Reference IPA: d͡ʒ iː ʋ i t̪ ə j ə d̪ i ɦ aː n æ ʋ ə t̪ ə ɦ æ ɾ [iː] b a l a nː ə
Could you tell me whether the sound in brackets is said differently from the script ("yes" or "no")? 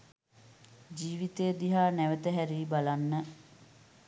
no